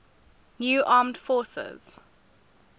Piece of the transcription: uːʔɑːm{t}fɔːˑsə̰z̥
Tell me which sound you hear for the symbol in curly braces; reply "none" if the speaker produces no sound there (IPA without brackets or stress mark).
d